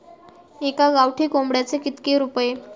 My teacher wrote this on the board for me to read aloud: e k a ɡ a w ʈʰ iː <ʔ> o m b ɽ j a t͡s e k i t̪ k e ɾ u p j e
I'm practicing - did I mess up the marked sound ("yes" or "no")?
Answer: yes